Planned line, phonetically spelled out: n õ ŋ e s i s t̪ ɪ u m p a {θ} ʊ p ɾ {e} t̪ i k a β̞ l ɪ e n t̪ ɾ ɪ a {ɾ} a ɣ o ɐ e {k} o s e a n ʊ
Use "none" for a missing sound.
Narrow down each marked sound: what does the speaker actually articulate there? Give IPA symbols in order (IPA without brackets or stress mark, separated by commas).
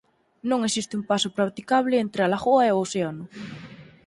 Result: s, a, l, none